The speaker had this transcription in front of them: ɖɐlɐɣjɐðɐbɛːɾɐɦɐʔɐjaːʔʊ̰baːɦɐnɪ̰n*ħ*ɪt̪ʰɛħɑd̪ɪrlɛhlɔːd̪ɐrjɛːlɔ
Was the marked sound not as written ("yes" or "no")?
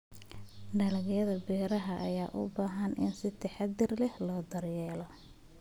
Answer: yes